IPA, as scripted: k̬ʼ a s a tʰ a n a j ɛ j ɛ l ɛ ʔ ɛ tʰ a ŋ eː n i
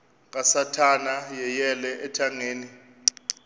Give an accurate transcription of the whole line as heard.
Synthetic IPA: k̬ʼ a s a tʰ a n a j ɛ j ɛ l ɛ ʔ ɛ tʰ a ŋ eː n i